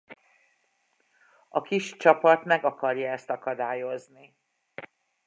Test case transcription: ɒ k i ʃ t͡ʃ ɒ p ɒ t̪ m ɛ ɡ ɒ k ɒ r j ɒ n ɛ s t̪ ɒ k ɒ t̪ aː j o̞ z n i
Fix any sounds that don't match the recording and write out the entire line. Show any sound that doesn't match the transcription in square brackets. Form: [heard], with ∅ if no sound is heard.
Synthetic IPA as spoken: ɒ k i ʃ t͡ʃ ɒ p ɒ t̪ m ɛ ɡ ɒ k ɒ r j ɒ [∅] ɛ s t̪ ɒ k ɒ [d̪] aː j o̞ z n i